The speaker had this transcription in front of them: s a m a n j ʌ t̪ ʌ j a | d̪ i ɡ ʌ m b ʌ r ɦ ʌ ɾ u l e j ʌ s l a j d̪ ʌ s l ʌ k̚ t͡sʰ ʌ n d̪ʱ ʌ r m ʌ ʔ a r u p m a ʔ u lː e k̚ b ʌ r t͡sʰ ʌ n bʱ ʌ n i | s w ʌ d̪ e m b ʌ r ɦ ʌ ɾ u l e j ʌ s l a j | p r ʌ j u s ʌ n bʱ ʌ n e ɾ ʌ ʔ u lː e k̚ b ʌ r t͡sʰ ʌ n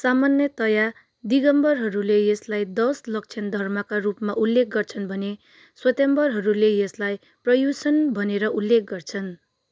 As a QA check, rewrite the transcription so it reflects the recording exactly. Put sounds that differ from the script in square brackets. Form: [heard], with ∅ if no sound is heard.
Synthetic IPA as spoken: s a m a n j ʌ t̪ ʌ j a | d̪ i ɡ ʌ m b ʌ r ɦ ʌ ɾ u l e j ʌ s l a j d̪ ʌ s l ʌ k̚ t͡sʰ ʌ n d̪ʱ ʌ r m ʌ [k] a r u p m a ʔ u lː e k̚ [ɡ] ʌ r t͡sʰ ʌ n bʱ ʌ n [e] | s w ʌ [t̪] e m b ʌ r ɦ ʌ ɾ u l e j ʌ s l a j | p r ʌ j u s ʌ n bʱ ʌ n e ɾ ʌ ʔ u lː e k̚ [ɡ] ʌ r t͡sʰ ʌ n

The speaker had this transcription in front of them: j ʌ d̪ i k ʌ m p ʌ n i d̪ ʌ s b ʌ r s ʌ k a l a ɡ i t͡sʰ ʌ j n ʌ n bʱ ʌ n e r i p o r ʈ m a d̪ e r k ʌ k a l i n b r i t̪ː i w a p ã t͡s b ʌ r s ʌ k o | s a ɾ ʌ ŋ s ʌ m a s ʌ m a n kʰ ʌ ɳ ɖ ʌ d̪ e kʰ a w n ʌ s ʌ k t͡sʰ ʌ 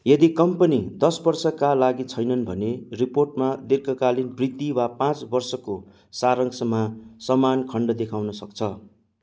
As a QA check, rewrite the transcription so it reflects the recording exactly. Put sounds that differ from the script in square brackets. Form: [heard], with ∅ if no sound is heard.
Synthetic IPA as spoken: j ʌ d̪ i k ʌ m p ʌ n i d̪ ʌ s b ʌ r s ʌ k a l a ɡ i t͡sʰ ʌ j n ʌ n bʱ ʌ n e r i p o r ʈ m a d̪ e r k ʌ k a l i n b r i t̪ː i w a p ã t͡s b ʌ r s ʌ k o | s a ɾ ʌ ŋ s ʌ m a s ʌ m a n kʰ ʌ ɳ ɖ ʌ d̪ e kʰ a w n ʌ s ʌ k t͡sʰ ʌ

